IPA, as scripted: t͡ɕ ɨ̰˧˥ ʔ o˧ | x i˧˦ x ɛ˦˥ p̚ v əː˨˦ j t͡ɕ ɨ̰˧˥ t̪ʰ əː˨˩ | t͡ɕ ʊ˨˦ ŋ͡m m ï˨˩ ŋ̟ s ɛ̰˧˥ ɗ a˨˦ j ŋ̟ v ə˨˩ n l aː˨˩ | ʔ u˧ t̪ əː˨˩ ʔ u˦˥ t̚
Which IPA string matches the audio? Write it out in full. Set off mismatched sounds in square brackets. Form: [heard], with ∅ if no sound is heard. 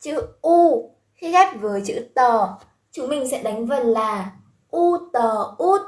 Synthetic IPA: t͡ɕ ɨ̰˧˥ ʔ [u˧] | x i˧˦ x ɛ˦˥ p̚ v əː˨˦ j t͡ɕ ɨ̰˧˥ [t̪] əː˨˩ | t͡ɕ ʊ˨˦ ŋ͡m m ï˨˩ ŋ̟ s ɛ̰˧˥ ɗ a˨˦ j ŋ̟ v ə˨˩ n l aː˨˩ | ʔ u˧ t̪ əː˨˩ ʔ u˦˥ t̚